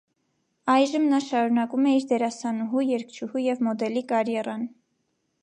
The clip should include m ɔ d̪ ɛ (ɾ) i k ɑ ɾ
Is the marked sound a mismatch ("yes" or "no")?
yes